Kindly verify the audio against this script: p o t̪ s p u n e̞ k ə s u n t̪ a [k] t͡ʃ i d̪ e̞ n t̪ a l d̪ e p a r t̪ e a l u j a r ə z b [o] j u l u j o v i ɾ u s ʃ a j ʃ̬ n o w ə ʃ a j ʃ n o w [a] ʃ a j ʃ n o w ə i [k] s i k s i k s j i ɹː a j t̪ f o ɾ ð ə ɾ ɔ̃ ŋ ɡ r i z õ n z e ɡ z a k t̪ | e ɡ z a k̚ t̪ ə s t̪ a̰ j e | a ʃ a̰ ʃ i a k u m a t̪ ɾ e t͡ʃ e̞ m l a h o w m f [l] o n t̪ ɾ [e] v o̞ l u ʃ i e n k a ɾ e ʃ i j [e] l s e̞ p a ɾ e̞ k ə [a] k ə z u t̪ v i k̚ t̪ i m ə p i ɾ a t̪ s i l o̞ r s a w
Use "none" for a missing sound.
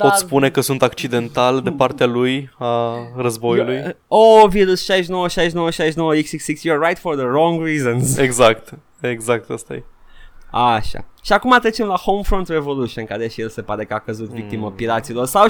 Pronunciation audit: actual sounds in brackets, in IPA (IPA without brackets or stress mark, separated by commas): k, o, ə, k, ɾ, e, e, a